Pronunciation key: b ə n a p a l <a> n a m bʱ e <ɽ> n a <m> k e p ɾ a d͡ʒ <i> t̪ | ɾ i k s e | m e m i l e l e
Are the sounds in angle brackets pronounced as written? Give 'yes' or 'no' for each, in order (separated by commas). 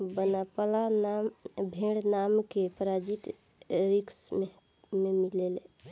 yes, yes, yes, yes